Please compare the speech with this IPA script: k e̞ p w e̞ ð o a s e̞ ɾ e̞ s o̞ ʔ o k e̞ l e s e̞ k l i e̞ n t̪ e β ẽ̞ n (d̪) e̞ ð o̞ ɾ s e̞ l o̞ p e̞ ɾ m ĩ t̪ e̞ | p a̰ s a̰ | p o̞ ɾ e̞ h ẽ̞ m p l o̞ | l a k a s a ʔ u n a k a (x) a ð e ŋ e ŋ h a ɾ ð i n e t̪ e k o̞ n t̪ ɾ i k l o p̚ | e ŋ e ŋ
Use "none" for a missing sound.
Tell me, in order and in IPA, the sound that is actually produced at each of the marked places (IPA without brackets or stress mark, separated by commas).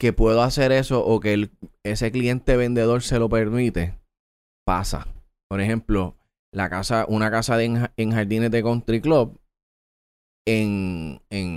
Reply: d̪, s